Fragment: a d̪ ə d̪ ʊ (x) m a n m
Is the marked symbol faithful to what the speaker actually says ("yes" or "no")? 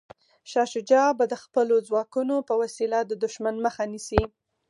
no